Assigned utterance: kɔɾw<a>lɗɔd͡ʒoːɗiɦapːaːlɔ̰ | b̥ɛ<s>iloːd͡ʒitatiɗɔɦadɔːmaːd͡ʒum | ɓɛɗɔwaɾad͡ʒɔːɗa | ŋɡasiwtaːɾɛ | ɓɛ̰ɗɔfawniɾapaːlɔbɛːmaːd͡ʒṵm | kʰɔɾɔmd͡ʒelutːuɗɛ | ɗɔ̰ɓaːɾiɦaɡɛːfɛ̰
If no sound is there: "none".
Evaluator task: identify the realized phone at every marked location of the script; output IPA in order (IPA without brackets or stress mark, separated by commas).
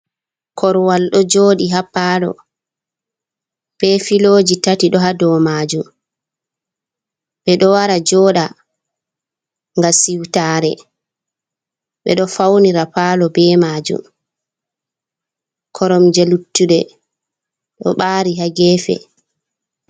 a, f